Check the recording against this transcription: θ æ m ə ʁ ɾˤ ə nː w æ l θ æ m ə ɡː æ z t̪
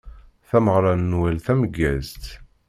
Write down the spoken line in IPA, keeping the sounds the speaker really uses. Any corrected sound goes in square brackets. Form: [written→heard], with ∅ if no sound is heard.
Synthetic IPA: θ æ m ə ʁ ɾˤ [ə→ɑ] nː w æ l θ æ m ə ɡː æ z t̪